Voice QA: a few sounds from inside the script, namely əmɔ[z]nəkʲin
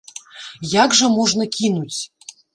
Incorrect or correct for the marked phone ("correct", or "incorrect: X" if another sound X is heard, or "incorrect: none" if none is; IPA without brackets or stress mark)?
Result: incorrect: ʐ